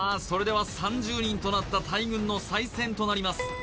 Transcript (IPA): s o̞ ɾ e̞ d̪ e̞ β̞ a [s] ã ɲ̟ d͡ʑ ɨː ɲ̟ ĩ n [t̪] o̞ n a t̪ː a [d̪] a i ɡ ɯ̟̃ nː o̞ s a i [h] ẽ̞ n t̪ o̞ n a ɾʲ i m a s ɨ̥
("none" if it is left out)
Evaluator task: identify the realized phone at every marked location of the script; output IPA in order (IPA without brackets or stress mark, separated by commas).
s, t̪, t̪, s